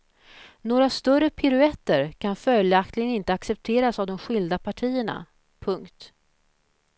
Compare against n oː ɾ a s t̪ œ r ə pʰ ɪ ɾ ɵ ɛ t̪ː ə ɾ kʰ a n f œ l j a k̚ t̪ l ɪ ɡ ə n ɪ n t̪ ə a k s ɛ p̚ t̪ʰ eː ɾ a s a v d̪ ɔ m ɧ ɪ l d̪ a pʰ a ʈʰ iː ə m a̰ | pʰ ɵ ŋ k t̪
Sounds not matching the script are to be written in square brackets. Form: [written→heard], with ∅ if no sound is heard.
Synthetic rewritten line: n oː ɾ a s t̪ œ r ə pʰ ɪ ɾ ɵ ɛ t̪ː ə ɾ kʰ a n f œ l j a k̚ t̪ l ɪ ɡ ə n ɪ n t̪ ə a k s ɛ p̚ t̪ʰ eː ɾ a s a v d̪ ɔ m ɧ ɪ l d̪ a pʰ a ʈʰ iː ə [m→ɳ] a̰ | pʰ ɵ ŋ k t̪

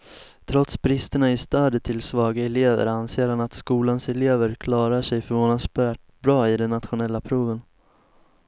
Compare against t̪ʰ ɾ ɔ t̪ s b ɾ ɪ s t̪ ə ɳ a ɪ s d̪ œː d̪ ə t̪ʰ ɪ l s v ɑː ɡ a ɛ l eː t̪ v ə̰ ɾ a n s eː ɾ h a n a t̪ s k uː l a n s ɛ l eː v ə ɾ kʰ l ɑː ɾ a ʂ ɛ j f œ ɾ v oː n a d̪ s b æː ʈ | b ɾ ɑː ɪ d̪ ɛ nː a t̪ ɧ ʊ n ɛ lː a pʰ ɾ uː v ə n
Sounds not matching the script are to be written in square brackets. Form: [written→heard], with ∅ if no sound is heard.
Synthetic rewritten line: t̪ʰ ɾ ɔ t̪ s b ɾ ɪ s t̪ ə ɳ a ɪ s [d̪→t̪] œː d̪ ə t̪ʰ ɪ l s v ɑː ɡ a ɛ l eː [t̪→∅] v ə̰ ɾ a n s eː ɾ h a n a t̪ s k uː l a n s ɛ l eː v ə ɾ kʰ l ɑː ɾ a ʂ ɛ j f œ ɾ v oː n a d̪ s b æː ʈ | b ɾ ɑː ɪ d̪ ɛ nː a t̪ ɧ ʊ n ɛ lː a pʰ ɾ uː v ə n

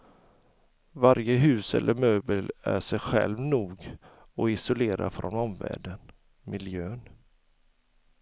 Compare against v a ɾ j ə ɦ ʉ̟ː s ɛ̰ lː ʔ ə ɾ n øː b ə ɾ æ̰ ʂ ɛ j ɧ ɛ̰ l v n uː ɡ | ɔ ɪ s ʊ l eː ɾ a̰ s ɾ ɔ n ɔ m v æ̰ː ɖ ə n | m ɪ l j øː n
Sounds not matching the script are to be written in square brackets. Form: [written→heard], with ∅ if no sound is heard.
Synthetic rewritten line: v a ɾ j ə ɦ ʉ̟ː s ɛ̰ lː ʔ ə ɾ [n→m] øː b ə [ɾ→l] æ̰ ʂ ɛ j ɧ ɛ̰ l v n uː ɡ | ɔ ɪ s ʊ l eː ɾ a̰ [s→f] ɾ ɔ n ɔ m v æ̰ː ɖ ə n | m ɪ l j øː n

